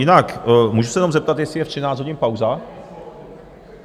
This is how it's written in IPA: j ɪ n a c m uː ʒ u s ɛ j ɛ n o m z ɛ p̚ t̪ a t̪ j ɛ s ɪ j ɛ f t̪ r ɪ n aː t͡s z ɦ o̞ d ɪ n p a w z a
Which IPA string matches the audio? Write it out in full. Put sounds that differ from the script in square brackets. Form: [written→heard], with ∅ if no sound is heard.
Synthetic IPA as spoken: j ɪ n a [c→k] m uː ʒ u s ɛ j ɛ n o m z ɛ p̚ t̪ a t̪ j ɛ s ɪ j ɛ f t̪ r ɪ n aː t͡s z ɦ o̞ [d→ɟ] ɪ n p a w z a